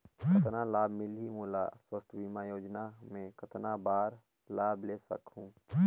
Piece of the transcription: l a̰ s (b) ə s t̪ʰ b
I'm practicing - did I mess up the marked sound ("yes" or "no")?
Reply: yes